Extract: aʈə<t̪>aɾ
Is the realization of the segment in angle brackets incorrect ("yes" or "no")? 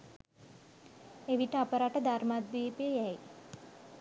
yes